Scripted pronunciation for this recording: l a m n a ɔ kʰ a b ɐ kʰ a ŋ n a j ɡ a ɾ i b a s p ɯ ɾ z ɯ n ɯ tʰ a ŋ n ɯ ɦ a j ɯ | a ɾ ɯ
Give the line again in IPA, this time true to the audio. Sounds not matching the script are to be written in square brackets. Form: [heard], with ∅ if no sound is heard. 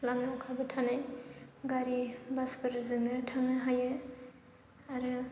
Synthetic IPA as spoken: l a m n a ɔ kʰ a b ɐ [tʰ] a [∅] n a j ɡ a ɾ i b a s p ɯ ɾ z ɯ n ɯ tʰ a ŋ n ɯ ɦ a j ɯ | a ɾ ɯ